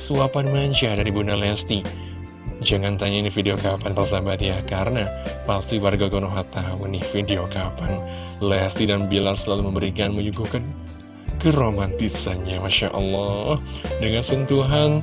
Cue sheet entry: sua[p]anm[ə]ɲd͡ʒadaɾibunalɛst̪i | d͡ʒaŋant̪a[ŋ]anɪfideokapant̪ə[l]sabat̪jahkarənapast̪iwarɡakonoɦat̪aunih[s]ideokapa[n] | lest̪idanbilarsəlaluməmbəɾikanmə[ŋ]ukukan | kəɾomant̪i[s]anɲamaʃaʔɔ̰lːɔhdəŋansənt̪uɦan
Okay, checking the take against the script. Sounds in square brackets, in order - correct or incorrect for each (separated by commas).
correct, incorrect, incorrect, incorrect, incorrect, correct, incorrect, correct